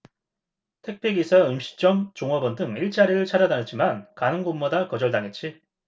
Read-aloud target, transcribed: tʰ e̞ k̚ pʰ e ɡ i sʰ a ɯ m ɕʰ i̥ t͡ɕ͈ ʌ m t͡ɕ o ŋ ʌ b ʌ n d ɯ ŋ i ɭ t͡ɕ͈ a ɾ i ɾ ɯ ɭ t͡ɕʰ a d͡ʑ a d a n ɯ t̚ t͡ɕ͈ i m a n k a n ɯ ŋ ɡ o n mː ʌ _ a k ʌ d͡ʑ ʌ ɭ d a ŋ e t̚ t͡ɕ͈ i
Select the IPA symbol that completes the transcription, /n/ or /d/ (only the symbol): d